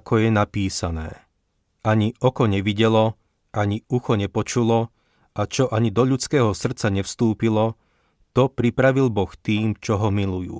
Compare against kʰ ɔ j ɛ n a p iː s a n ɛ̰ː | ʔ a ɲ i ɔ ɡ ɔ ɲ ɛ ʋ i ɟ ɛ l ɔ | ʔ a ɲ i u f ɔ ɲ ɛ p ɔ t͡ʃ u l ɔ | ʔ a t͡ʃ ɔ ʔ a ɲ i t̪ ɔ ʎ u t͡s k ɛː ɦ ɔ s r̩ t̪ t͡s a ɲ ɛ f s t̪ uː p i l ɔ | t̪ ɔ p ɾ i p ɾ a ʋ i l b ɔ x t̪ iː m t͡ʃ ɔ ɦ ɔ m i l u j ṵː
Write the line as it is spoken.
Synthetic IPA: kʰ ɔ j ɛ n a p iː s a n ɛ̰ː | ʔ a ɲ i ɔ k ɔ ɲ ɛ ʋ i ɟ ɛ l ɔ | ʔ a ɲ i u x ɔ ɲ ɛ p ɔ t͡ʃ u l ɔ | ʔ a t͡ʃ ɔ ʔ a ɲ i d̪ ɔ ʎ u t͡s k ɛː ɦ ɔ s r̩ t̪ t͡s a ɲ ɛ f s t̪ uː p i l ɔ | t̪ ɔ p ɾ i p ɾ a ʋ i l b ɔ x t̪ iː m t͡ʃ ɔ ɦ ɔ m i l u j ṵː